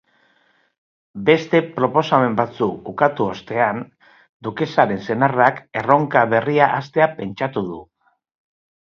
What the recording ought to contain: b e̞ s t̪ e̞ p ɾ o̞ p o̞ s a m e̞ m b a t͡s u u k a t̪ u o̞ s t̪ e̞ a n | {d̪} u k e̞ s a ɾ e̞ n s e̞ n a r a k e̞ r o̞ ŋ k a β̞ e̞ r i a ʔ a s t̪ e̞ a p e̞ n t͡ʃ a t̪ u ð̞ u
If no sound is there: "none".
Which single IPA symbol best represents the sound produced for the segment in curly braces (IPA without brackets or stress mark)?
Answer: d̪